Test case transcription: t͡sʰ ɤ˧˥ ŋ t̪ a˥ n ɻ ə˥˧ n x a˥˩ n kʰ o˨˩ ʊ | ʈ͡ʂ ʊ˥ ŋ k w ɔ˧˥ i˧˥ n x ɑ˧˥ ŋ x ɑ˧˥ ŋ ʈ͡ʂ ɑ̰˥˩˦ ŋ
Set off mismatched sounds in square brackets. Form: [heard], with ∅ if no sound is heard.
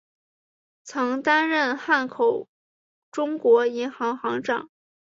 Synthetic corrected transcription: t͡sʰ ɤ˧˥ ŋ t̪ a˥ n ɻ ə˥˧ n x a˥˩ n kʰ o˨˩ ʊ | ʈ͡ʂ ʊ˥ ŋ k w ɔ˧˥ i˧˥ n x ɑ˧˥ ŋ x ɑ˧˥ ŋ ʈ͡ʂ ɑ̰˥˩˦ ŋ